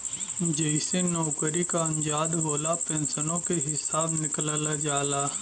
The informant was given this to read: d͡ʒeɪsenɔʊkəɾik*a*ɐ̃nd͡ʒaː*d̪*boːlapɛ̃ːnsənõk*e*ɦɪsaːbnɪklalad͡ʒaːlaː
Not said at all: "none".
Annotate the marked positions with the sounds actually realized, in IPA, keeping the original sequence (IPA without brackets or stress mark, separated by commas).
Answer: a, d̪, e